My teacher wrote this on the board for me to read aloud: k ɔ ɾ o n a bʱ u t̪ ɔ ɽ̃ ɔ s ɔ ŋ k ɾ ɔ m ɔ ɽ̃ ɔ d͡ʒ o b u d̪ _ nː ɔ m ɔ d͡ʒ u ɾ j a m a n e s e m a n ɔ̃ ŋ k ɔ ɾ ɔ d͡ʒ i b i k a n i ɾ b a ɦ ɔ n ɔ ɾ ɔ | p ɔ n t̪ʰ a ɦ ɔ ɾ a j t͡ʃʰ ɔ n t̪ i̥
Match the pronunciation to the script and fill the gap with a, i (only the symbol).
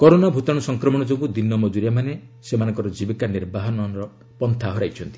i